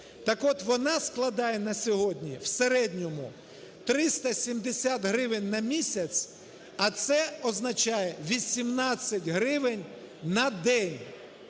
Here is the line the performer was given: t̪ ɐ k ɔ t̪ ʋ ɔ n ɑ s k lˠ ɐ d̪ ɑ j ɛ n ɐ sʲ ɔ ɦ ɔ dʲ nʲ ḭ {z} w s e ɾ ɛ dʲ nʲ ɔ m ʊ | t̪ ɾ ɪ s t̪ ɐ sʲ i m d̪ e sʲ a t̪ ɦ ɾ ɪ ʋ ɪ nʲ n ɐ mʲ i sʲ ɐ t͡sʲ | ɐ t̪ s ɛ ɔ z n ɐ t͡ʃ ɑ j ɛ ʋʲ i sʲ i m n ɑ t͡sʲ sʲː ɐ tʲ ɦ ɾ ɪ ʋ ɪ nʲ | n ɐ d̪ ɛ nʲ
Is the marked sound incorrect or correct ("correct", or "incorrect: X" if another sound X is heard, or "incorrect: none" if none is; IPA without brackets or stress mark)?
incorrect: none